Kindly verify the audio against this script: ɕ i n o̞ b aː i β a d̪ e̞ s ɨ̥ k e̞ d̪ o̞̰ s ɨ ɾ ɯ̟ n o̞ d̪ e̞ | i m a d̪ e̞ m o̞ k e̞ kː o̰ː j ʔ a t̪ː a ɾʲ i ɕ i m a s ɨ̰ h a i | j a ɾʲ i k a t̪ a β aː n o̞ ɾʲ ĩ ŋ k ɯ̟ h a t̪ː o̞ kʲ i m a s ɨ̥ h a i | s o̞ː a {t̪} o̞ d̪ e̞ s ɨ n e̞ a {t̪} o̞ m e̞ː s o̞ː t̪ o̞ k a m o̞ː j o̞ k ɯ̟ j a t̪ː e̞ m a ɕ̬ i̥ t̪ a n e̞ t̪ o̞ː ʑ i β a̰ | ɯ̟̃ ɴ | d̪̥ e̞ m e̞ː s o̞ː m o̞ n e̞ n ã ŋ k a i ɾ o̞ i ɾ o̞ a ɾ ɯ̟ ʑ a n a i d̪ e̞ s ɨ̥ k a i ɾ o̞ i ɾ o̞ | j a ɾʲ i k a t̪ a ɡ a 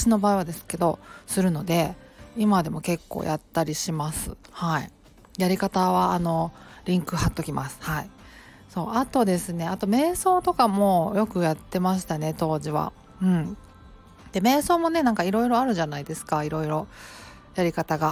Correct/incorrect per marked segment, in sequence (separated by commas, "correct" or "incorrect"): correct, correct